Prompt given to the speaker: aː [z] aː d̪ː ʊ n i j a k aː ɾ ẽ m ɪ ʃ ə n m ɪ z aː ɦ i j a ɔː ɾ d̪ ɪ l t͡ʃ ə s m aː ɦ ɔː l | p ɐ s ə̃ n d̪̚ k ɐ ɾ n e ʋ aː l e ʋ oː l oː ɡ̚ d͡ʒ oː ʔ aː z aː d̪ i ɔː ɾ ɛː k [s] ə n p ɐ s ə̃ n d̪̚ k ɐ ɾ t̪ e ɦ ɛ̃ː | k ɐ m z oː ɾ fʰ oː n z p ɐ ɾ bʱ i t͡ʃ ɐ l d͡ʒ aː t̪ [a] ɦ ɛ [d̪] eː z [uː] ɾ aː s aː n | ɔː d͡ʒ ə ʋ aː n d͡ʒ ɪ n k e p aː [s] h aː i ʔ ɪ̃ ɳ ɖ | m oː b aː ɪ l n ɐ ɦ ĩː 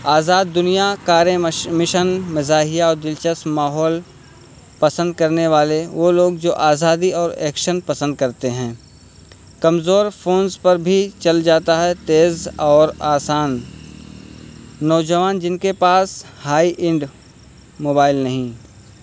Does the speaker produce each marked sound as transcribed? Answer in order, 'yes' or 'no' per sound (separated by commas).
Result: yes, no, yes, no, no, yes